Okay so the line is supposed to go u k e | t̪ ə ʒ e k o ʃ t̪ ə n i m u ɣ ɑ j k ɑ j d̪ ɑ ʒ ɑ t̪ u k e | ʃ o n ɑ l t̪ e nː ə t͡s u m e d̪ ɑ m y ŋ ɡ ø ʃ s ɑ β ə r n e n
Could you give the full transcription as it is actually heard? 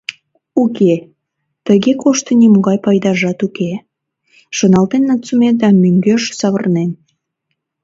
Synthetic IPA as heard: u k e | t̪ ə ɣ e k o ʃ t̪ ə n i m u ɣ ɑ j p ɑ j d̪ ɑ ʒ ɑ t̪ u k e | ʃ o n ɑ l t̪ e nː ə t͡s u m e d̪ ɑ m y ŋ ɡ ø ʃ s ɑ β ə r n e n